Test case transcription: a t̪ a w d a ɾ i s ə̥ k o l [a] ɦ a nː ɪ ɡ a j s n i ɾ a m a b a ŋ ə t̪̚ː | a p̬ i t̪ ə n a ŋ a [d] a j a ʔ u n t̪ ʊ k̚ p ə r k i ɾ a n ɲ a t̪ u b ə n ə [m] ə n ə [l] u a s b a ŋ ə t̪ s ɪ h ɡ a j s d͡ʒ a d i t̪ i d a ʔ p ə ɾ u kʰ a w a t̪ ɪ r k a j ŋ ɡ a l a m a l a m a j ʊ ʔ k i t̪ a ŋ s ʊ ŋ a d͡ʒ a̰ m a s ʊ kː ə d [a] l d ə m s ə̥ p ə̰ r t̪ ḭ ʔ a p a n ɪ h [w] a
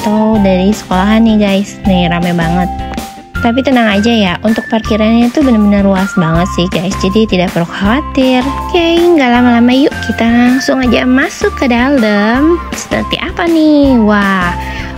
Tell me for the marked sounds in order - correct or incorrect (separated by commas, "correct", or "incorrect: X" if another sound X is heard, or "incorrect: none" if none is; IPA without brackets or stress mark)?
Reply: correct, incorrect: d͡ʒ, incorrect: b, incorrect: r, correct, correct